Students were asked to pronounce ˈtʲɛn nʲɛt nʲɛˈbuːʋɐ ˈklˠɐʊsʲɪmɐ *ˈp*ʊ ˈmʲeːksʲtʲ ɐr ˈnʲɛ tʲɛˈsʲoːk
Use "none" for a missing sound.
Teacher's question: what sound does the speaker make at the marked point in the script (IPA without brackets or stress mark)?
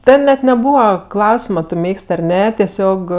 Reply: t